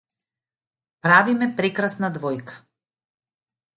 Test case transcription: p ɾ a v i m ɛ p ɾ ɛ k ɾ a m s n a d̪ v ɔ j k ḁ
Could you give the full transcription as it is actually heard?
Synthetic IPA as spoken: p ɾ a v i m ɛ p ɾ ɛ k ɾ a s n a d̪ v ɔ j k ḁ